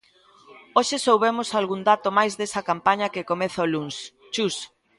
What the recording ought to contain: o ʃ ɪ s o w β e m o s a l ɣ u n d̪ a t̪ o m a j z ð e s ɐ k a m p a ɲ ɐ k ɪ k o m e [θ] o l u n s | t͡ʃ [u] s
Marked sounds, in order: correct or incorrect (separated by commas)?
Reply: correct, correct